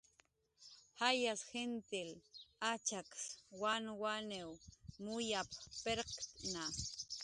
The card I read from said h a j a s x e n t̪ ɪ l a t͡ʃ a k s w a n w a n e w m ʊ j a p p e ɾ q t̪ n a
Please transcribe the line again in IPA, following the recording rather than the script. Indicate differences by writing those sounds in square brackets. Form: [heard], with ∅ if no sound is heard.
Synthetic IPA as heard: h a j a s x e n t̪ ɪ l a t͡ʃ a k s w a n w a n e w m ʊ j a p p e ɾ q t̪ n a